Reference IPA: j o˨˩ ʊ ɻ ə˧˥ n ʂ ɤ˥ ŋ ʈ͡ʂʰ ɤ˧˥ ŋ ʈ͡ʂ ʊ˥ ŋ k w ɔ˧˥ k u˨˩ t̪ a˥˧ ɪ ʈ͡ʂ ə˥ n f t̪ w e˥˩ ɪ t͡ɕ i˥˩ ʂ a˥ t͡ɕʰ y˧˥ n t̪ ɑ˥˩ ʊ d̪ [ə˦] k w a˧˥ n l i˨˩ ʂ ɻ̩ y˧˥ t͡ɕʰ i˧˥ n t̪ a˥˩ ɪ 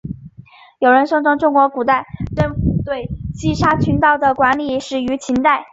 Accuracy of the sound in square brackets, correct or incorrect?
incorrect